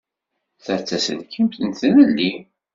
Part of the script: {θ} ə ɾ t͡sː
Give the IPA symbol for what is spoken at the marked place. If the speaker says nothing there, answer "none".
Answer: θ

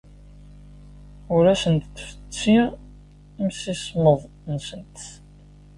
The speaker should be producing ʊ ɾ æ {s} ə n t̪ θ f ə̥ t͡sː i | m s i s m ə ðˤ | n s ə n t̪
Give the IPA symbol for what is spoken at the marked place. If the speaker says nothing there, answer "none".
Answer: s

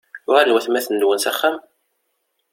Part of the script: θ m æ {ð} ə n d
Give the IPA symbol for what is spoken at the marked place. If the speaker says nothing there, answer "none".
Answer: θ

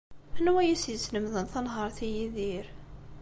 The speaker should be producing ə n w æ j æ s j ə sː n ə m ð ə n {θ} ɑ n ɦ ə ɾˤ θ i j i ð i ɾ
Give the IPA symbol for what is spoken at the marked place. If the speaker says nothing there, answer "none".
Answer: θ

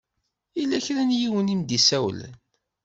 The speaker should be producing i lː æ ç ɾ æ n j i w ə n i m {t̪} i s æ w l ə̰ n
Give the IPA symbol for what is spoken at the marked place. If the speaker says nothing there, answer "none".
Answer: d̪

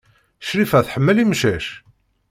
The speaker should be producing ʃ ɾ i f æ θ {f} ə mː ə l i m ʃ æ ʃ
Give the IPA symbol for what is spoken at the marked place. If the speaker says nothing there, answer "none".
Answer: ħ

